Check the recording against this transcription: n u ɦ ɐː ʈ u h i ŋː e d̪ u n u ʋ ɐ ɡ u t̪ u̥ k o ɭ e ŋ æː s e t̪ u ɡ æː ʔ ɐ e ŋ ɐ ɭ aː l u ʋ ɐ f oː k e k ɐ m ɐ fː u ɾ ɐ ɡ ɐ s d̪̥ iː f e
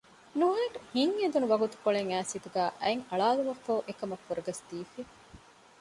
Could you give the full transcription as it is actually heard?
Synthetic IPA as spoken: n u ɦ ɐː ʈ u h i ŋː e d̪ u n u ʋ ɐ ɡ u t̪ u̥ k o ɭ e ŋ æː s i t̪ u ɡ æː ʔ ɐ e ŋ ɐ ɭ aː l u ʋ ɐ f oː ʔ e k ɐ m ɐ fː u ɾ ɐ ɡ ɐ s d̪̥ iː f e